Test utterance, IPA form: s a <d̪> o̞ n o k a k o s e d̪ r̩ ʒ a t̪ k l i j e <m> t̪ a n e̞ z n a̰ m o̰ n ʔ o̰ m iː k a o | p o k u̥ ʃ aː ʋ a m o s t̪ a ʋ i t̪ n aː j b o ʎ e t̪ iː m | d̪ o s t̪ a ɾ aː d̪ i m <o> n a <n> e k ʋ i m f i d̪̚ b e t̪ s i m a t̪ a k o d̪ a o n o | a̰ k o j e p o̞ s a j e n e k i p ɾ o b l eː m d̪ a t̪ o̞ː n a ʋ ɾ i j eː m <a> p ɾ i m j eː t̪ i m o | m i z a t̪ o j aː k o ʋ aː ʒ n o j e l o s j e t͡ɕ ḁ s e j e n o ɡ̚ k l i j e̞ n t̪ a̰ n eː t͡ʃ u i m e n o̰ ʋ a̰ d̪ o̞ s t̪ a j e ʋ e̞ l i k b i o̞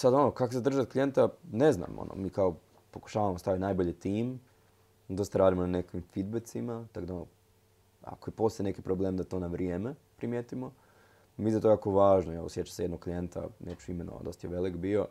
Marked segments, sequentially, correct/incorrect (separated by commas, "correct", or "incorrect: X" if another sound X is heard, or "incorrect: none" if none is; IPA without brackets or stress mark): correct, incorrect: n, correct, correct, incorrect: e